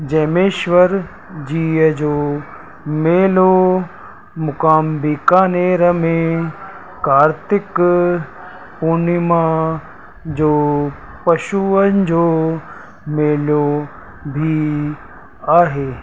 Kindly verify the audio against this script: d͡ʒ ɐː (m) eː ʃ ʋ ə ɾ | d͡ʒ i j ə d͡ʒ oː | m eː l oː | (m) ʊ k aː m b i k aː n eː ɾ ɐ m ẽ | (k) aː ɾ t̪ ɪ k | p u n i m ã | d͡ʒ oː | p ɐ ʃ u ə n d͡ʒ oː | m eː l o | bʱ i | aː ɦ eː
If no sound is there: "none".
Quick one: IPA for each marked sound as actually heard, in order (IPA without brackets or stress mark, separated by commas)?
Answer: m, m, k